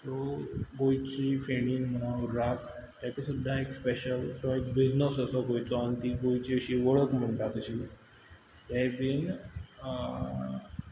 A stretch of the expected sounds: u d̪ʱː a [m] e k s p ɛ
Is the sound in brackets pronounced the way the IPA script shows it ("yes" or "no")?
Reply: no